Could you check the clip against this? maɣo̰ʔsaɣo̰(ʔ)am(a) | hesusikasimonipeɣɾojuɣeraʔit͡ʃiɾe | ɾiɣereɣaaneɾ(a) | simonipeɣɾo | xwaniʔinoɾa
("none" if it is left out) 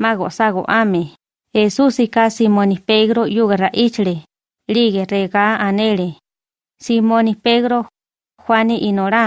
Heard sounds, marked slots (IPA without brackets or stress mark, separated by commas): ʔ, e, e